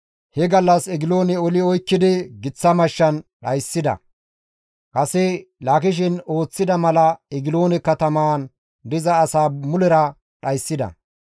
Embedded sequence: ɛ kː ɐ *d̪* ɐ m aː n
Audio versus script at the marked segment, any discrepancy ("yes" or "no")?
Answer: yes